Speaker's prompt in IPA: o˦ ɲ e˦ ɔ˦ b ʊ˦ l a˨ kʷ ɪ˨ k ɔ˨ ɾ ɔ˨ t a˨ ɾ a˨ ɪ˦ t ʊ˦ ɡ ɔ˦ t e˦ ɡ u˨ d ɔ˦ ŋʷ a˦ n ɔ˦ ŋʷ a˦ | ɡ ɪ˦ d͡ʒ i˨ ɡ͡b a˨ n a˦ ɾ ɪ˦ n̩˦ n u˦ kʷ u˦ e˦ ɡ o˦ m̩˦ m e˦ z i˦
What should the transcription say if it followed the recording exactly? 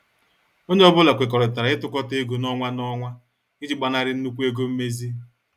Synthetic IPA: o˦ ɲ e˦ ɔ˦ b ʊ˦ l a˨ kʷ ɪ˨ k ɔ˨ ɾ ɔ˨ t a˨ ɾ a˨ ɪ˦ t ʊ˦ k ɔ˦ t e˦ ɡ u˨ n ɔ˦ ŋʷ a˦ n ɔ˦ ŋʷ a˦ | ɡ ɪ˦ d͡ʒ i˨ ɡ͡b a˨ n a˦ ɾ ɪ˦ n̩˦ n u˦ kʷ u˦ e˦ ɡ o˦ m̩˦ m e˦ z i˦